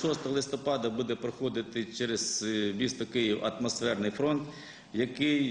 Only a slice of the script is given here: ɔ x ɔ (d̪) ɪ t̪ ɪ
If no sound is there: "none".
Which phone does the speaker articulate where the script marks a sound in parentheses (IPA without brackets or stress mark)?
d̪